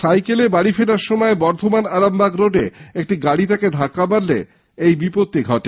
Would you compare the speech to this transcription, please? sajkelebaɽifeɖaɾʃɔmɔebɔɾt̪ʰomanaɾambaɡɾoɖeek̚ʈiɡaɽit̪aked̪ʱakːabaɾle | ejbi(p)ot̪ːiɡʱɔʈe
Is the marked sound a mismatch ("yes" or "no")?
no